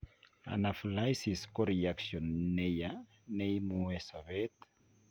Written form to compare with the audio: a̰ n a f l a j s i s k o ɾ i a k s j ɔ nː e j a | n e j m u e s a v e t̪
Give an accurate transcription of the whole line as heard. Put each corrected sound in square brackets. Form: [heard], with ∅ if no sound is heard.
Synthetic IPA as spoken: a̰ n a f l a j s i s k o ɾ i a k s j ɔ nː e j a | n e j m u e s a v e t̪